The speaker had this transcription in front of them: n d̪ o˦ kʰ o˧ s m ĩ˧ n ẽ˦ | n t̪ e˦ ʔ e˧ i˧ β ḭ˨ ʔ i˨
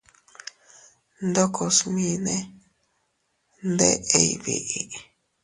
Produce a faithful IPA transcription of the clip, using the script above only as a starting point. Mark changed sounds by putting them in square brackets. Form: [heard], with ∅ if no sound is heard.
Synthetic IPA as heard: n d̪ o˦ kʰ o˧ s m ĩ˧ n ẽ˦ | n [d̪] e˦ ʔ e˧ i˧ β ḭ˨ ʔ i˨